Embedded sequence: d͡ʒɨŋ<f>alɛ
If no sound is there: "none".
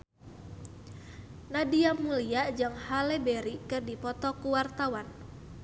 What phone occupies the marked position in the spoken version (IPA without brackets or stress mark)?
h